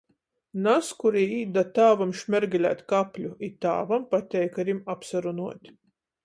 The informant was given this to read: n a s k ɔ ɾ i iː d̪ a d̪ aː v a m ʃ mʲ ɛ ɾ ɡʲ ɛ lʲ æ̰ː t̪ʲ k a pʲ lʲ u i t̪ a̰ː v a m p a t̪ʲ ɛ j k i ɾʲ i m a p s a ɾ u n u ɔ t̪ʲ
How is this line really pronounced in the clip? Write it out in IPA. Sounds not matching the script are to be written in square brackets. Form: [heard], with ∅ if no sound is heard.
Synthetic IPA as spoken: n a s k [u] ɾ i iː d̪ a [t̪] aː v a m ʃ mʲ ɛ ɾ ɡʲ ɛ lʲ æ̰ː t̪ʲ k a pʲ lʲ u i t̪ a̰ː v a m p a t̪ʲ ɛ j k [a] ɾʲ i m a p s a ɾ u n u ɔ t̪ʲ